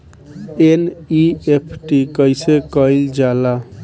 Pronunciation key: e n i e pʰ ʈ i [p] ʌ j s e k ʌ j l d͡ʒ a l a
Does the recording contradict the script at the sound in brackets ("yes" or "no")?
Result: yes